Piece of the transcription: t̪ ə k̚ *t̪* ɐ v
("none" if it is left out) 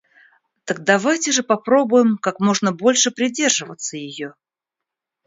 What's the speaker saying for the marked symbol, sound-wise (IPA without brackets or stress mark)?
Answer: d̪